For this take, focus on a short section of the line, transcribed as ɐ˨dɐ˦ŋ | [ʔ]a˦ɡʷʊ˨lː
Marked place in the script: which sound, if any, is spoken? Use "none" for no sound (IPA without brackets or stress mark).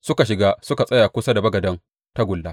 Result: t